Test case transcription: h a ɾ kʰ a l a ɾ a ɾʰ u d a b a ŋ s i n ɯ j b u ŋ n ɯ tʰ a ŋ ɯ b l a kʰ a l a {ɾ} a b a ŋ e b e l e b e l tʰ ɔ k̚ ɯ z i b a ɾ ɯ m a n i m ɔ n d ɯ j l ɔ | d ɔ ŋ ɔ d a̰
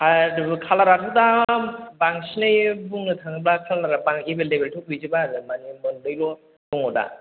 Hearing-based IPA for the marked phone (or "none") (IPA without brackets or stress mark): ɾ